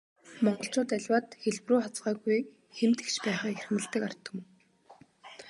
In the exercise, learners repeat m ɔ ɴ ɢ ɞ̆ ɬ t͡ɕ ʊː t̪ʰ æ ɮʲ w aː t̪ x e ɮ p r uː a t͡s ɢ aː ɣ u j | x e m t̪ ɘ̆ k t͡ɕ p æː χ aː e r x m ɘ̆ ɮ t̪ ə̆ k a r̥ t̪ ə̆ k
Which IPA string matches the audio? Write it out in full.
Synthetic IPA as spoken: m ɔ ɴ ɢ ɞ̆ ɬ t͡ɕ ʊː t̪ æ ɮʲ w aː t̪ x e ɮ p r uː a t͡s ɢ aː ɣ u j | x e m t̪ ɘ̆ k t͡ɕ p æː χ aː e r x m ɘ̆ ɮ t̪ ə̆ k a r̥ t̪ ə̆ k